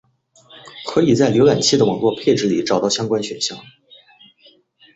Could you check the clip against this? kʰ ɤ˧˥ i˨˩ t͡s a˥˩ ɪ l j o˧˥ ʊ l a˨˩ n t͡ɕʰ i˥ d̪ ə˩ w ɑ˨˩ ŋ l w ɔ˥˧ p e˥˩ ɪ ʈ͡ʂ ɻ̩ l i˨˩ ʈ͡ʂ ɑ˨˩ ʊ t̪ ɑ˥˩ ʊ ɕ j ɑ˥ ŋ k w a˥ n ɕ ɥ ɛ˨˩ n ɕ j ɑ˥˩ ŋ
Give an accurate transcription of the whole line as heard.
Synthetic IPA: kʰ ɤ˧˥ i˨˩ t͡s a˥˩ ɪ l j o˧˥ ʊ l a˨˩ n t͡ɕʰ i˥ d̪ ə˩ w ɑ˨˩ ŋ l w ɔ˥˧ pʰ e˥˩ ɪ ʈ͡ʂ ɻ̩ l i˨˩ ʈ͡ʂ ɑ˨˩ ʊ t̪ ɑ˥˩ ʊ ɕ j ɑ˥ ŋ k w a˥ n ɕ ɥ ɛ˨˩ n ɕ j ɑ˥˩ ŋ

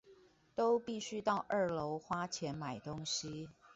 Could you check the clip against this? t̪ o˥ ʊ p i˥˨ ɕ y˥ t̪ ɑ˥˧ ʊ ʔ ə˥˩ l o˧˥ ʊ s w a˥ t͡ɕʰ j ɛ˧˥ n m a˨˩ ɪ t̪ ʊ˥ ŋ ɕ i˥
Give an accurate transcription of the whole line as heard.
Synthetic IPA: t̪ o˥ ʊ p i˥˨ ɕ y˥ t̪ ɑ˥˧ ʊ ʔ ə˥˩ l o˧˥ ʊ x w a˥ t͡ɕʰ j ɛ˧˥ n m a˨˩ ɪ t̪ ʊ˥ ŋ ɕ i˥

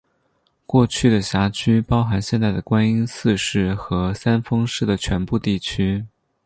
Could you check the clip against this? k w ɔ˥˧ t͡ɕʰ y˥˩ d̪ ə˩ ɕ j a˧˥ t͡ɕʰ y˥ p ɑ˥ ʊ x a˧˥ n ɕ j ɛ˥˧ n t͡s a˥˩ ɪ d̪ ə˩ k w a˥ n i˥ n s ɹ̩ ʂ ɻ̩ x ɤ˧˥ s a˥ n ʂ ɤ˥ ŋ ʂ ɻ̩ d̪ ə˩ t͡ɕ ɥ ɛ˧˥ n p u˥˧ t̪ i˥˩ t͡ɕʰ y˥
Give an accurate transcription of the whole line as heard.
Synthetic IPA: k w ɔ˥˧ t͡ɕʰ y˥˩ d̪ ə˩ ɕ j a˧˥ t͡ɕʰ y˥ p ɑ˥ ʊ x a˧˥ n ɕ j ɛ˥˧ n t͡s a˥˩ ɪ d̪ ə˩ k w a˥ n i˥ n s ɹ̩ ʂ ɻ̩ x ɤ˧˥ s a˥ n f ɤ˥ ŋ ʂ ɻ̩ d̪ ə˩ t͡ɕʰ ɥ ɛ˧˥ n p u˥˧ t̪ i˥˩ t͡ɕʰ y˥

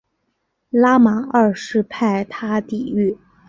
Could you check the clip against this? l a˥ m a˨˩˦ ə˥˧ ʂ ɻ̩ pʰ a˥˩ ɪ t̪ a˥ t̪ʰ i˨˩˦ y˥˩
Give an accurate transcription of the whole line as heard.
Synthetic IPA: l a˥ m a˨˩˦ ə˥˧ ʂ ɻ̩ pʰ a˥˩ ɪ t̪ʰ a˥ t̪ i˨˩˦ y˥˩

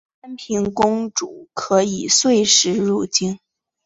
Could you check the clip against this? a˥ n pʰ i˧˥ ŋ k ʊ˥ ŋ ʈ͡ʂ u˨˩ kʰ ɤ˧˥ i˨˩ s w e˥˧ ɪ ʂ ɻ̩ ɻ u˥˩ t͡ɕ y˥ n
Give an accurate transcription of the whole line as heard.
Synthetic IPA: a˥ n pʰ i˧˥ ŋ k ʊ˥ ŋ ʈ͡ʂ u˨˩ kʰ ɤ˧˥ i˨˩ s w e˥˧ ɪ ʂ ɻ̩ ɻ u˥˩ t͡ɕ i˥ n

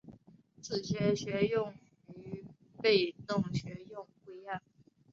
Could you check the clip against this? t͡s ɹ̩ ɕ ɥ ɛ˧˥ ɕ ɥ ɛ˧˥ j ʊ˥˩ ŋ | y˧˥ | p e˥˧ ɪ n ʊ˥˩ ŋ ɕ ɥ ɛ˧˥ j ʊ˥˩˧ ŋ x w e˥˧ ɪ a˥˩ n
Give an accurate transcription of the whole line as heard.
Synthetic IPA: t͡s ɹ̩ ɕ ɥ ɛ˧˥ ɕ ɥ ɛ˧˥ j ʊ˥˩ ŋ | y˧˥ | p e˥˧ ɪ n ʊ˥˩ ŋ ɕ ɥ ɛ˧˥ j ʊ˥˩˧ ŋ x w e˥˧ ɪ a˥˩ n

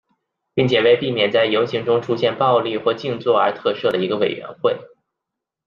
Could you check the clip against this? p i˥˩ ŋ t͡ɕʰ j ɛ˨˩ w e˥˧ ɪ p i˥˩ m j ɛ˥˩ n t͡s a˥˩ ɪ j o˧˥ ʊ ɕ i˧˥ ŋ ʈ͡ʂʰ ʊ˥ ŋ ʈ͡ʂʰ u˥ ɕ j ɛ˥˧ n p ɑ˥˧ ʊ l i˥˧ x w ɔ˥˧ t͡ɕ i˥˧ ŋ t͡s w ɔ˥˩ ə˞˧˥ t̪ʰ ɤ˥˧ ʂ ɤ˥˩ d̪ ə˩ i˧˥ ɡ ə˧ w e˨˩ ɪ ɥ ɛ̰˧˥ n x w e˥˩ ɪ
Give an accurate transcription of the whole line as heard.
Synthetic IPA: p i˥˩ ŋ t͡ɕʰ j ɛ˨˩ w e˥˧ ɪ p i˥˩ m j ɛ˨˩ n t͡s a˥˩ ɪ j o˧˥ ʊ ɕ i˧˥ ŋ ʈ͡ʂ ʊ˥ ŋ ʈ͡ʂʰ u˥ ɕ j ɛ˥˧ n p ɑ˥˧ ʊ l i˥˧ x w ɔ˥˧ t͡ɕ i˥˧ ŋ t͡s w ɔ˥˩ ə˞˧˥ t̪ʰ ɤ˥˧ ʂ ɤ˥˩ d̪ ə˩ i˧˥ ɡ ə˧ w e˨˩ ɪ ɥ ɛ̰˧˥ n x w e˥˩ ɪ

